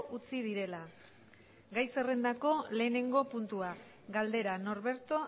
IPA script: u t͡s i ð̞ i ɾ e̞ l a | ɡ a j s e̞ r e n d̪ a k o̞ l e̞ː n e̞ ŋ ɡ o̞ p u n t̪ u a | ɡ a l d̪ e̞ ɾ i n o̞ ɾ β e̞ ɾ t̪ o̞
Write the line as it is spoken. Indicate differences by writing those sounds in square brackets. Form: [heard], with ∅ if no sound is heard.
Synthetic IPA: u t͡s i ð̞ i ɾ e̞ l a | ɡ a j s e̞ r e n d̪ a k o̞ l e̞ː n e̞ ŋ ɡ o̞ p u n t̪ u a | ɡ a l d̪ e̞ ɾ [a] n o̞ ɾ β e̞ ɾ t̪ o̞